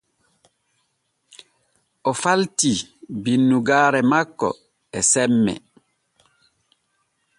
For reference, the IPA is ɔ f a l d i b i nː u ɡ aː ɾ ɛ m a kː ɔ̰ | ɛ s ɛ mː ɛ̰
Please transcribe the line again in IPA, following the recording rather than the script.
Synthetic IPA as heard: ɔ f a l t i b i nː u ɡ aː ɾ ɛ m a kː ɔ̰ | ɛ s ɛ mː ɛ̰